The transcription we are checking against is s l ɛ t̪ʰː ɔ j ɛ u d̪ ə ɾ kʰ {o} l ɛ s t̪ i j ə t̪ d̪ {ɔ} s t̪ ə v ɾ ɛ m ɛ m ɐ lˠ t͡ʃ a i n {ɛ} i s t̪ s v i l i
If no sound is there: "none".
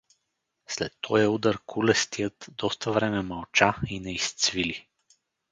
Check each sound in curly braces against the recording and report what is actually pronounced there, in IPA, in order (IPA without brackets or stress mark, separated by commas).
u, ɔ, ɛ